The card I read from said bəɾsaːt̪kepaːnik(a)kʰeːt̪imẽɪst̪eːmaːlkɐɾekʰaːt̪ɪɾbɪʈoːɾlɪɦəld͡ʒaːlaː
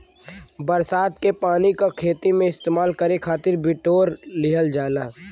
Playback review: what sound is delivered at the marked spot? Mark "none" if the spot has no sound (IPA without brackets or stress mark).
a